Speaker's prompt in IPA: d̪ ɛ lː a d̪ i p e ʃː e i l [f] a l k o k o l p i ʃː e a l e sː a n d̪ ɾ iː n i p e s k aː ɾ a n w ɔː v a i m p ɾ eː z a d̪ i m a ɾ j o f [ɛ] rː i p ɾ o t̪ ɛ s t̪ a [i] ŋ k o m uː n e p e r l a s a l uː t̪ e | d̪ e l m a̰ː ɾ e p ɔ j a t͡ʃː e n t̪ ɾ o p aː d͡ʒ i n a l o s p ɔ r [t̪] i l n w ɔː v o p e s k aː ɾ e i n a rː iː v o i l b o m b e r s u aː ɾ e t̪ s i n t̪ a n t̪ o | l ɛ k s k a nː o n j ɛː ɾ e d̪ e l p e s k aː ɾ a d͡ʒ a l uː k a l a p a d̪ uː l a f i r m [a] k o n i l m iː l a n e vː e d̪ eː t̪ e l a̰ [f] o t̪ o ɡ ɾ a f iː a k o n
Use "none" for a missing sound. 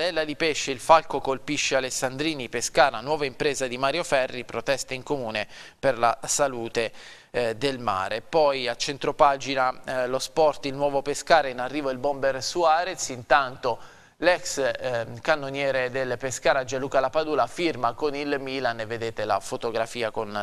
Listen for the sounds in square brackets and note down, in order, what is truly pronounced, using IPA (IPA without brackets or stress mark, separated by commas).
f, ɛ, i, t̪, a, f